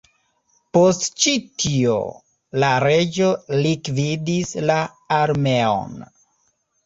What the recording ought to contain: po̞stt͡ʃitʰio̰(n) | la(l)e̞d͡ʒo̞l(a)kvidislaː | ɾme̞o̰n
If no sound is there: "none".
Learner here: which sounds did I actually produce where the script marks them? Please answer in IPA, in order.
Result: none, ɾ, i

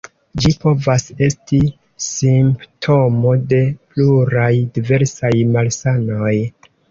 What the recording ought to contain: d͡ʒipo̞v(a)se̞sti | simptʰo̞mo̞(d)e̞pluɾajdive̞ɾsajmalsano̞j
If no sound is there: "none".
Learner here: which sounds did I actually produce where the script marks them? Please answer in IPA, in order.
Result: a, d

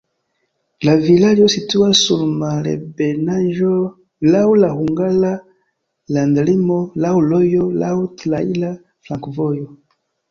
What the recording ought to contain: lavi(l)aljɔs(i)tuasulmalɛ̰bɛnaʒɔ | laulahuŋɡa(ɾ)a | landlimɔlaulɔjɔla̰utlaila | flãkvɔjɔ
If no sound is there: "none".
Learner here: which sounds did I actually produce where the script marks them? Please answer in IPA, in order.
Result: l, i, l

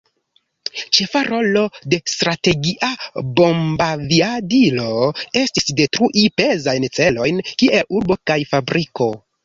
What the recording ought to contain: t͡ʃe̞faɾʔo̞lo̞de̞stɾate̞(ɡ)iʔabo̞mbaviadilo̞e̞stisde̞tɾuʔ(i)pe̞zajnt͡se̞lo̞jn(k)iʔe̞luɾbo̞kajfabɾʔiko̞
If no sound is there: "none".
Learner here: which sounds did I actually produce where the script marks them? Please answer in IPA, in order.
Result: ɡ, i, k

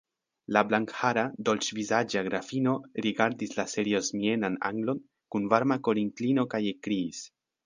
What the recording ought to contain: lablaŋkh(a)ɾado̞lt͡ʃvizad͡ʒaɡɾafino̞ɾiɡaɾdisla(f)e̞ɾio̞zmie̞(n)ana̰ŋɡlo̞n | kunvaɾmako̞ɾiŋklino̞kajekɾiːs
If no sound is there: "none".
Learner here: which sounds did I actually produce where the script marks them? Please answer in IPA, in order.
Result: a, s, n

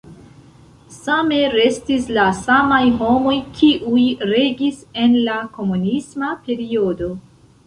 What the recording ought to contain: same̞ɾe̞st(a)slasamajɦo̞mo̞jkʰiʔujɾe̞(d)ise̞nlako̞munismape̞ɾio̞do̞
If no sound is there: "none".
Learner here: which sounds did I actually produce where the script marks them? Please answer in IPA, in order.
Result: i, ɡ

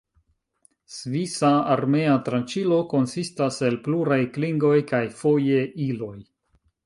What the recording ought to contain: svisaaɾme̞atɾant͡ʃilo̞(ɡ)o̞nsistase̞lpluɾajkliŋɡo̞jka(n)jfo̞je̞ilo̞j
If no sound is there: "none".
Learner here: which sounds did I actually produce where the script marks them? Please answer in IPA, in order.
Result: k, none

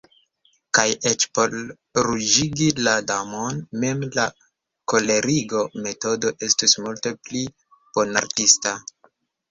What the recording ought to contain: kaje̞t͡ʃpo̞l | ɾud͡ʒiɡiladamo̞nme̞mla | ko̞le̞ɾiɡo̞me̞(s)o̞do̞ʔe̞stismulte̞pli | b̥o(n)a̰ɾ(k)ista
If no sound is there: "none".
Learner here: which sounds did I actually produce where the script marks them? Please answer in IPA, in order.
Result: t, n, t

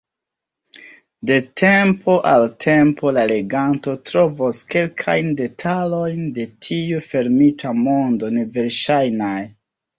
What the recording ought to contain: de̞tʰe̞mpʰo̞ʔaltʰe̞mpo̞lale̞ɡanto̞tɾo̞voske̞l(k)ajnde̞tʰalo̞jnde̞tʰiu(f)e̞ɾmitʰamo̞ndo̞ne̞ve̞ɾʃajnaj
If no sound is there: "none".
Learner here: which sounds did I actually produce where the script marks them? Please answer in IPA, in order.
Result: kʰ, f

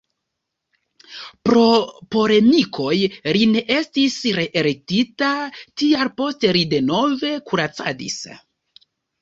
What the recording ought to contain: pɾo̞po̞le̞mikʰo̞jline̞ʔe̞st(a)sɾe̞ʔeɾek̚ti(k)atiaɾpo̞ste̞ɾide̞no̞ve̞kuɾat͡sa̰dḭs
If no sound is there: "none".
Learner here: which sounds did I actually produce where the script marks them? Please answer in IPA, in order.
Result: i, t

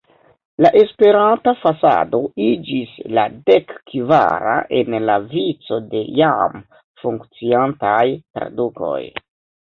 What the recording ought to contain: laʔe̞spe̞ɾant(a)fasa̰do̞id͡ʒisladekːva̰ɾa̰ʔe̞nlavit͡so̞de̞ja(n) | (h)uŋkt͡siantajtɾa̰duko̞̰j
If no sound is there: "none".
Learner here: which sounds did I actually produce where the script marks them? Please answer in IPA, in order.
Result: a, m, f

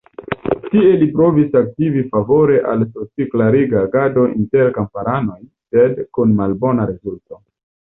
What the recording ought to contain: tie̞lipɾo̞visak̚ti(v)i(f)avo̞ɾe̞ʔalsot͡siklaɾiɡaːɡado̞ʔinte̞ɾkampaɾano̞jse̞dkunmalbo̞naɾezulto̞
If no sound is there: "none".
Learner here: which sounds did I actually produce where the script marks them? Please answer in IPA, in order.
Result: v, f

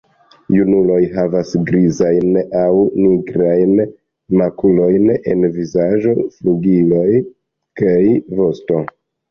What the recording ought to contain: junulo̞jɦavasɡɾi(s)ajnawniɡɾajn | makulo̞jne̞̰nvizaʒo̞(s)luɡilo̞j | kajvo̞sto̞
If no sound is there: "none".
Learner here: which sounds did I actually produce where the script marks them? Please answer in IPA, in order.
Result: z, f

